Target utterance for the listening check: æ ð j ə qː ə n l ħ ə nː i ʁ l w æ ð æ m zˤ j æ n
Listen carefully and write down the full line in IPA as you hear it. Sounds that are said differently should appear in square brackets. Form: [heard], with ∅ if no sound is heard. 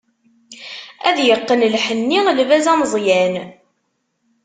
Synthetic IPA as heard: æ ð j ə qː ə n l ħ ə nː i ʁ l [v] æ [z] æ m zˤ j æ n